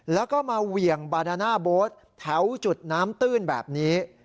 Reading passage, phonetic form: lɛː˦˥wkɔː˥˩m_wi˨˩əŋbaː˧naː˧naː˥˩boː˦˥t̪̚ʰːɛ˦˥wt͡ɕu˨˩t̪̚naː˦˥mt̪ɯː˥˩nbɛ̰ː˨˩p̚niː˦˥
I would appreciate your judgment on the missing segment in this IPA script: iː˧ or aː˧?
aː˧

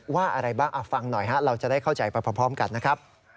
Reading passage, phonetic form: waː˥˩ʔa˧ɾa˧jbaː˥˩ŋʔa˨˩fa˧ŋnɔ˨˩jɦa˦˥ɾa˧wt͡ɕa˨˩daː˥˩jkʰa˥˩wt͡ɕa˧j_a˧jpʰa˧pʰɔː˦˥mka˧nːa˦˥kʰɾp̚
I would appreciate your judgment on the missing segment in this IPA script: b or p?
p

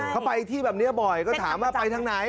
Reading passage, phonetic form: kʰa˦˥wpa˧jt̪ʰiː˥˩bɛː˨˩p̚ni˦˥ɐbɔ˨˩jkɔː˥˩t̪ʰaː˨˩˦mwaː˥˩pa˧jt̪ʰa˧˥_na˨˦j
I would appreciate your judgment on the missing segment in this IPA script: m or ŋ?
ŋ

